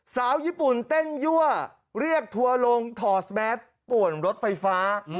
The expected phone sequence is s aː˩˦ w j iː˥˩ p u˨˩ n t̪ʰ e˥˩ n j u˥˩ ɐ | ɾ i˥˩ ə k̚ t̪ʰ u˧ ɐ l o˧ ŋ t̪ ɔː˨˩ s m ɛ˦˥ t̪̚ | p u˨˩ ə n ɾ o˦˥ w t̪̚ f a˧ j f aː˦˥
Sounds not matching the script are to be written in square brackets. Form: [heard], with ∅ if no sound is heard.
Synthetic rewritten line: s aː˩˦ w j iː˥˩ p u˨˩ n [t̪] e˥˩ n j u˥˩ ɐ | ɾ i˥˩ ə k̚ t̪ʰ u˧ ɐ l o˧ ŋ [t̪ʰ] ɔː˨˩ s m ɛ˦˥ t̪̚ | p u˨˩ ə n ɾ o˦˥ [∅] t̪̚ f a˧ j f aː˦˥